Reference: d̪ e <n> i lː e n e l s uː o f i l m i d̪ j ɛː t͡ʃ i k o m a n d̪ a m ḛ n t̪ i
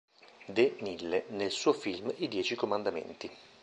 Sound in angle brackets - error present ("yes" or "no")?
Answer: no